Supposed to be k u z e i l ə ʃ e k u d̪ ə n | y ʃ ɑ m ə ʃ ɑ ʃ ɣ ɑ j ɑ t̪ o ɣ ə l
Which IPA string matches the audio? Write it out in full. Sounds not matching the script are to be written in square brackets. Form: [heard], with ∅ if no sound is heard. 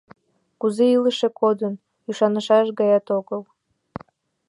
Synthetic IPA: k u z e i l ə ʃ e k [o] d̪ ə n | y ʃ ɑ [n] ə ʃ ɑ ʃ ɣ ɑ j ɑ t̪ o ɣ ə l